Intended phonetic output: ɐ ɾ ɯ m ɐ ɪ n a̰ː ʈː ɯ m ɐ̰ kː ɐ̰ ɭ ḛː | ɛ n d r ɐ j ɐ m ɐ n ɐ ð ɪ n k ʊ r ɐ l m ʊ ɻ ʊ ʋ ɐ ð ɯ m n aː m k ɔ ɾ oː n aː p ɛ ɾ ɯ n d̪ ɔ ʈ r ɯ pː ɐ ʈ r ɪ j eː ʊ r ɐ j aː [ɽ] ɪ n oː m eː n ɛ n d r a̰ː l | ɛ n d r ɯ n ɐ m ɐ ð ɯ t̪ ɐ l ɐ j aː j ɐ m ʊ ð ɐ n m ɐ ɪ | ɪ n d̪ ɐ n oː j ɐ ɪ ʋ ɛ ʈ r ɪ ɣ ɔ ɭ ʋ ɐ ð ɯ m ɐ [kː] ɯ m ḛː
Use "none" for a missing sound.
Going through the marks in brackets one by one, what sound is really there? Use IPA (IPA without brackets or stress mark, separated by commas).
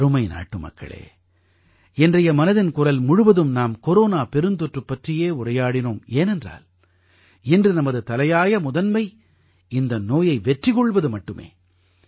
ɽ, ʈː